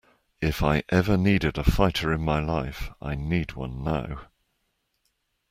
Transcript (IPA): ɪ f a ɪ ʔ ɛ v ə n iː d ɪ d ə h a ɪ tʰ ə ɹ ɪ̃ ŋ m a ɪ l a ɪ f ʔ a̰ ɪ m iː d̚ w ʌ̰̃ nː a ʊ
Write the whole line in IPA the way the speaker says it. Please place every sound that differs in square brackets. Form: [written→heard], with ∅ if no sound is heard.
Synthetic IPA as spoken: ɪ f a ɪ ʔ ɛ v ə n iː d ɪ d ə [h→f] a ɪ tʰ ə ɹ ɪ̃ [ŋ→n] m a ɪ l a ɪ f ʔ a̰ ɪ [m→n] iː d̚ w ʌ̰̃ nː a ʊ